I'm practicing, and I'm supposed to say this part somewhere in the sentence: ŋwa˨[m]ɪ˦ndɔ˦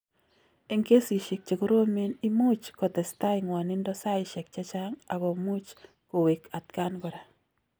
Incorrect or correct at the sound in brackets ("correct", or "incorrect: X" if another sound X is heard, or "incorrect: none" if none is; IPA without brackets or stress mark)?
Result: incorrect: n